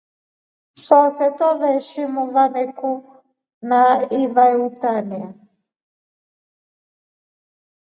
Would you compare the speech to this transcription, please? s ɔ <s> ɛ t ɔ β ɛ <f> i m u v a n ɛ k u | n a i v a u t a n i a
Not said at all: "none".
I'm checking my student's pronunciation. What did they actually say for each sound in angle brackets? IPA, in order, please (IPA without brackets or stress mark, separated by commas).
s, ʃ